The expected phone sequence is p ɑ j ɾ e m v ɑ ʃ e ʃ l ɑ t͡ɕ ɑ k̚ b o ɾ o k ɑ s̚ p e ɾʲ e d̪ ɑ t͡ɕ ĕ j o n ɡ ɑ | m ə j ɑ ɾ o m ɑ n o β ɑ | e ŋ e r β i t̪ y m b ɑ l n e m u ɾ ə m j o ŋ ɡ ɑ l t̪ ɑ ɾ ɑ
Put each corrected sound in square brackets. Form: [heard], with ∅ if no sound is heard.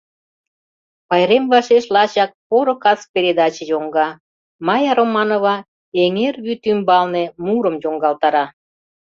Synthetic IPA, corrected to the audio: p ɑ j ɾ e m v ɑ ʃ e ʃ l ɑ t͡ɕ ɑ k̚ [p] o ɾ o k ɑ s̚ p e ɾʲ e d̪ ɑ t͡ɕ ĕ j o [ŋ] ɡ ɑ | m [ɑ] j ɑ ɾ o m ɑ n o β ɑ | e ŋ e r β [y] t̪ y m b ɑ l n e m u ɾ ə m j o ŋ ɡ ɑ l t̪ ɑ ɾ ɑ